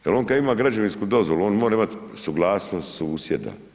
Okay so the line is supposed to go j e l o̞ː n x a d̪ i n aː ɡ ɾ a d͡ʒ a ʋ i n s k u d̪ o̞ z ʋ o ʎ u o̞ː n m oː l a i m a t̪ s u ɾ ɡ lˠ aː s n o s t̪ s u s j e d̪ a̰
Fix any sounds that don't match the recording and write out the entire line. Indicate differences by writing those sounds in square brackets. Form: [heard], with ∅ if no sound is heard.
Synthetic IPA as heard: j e l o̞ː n [k] a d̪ i [m] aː ɡ ɾ a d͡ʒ a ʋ i n s k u d̪ o̞ z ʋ o [l] u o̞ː n m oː [ɾ] a i m a t̪ s u [∅] ɡ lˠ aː s n o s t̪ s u s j e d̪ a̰